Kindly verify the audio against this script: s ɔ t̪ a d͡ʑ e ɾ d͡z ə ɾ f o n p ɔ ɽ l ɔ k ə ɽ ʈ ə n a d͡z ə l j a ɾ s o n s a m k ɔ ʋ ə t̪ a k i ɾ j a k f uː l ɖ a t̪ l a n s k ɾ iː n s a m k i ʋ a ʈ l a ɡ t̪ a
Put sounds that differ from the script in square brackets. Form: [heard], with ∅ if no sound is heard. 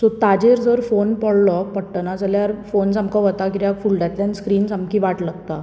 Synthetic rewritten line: s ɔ t̪ a d͡ʑ e ɾ d͡z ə ɾ f o n p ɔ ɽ l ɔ [p] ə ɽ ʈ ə n a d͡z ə l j a ɾ [f] o n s a m k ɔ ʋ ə t̪ a k i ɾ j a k f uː l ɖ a t̪ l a n s k ɾ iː n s a m k i ʋ a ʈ l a ɡ t̪ a

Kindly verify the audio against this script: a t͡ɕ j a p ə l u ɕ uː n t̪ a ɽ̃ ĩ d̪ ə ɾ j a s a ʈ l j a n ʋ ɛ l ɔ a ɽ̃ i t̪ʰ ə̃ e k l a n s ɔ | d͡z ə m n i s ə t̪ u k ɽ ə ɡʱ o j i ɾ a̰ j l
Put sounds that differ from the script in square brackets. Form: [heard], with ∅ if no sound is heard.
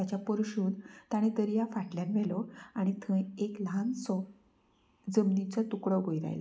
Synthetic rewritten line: a t͡ɕ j a p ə [ɾ] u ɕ uː n t̪ a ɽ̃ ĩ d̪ ə ɾ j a [f] a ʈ l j a n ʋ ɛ l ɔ a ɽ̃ i t̪ʰ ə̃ e k l a n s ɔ | d͡z ə m n i [t͡s] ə t̪ u k ɽ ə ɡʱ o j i ɾ a̰ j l

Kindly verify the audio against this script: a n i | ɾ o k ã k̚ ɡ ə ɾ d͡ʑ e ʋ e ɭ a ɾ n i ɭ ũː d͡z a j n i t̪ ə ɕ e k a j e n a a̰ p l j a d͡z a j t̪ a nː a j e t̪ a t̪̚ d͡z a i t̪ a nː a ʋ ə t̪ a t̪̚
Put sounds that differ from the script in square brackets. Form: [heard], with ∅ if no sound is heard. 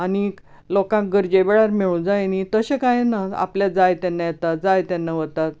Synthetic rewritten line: a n i | [l] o k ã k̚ ɡ ə ɾ d͡ʑ e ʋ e ɭ a ɾ [m] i ɭ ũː d͡z a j n i t̪ ə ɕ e k a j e n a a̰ p l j a d͡z a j t̪ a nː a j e t̪ a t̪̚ d͡z a [j] t̪ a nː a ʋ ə t̪ a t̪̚

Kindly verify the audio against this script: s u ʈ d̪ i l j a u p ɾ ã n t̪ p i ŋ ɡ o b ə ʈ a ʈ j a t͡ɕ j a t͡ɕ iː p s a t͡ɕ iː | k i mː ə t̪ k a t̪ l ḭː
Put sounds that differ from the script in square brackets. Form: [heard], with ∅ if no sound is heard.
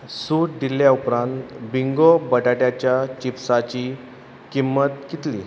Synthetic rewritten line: s u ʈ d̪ i l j a u p ɾ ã n t̪ [b] i ŋ ɡ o b ə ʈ a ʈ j a t͡ɕ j a t͡ɕ [i] p s a t͡ɕ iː | k i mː ə t̪ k [i] t̪ l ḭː

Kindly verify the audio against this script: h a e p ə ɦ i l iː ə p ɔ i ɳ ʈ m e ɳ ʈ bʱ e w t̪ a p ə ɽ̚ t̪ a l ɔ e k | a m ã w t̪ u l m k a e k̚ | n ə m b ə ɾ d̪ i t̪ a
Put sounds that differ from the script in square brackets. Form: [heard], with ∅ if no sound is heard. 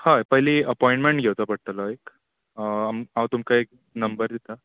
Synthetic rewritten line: h a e p ə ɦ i l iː ə p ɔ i ɳ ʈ m e ɳ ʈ [ɡʱ] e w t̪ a p ə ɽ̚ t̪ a l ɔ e k | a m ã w t̪ u [∅] m k a e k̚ | n ə m b ə ɾ d̪ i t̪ a

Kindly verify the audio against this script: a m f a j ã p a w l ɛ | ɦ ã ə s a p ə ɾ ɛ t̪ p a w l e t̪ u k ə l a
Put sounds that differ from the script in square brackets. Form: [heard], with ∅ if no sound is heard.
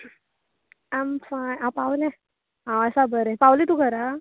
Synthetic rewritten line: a m f a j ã p a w l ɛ | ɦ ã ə s a [b] ə ɾ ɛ [∅] p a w l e t̪ u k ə [ɾ] a

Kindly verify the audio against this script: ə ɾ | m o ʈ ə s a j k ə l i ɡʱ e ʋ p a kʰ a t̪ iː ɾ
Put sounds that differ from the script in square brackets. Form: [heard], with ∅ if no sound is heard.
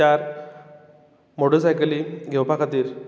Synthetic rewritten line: [a] ɾ | m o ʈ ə s a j k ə l i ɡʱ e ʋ p a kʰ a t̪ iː ɾ

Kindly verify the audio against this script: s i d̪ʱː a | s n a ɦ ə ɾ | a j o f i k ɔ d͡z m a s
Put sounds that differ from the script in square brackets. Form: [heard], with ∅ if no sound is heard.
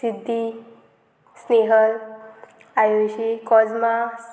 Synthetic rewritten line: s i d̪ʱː [i] | s n [e] ɦ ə [l] | a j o [ɕ] i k ɔ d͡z m a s

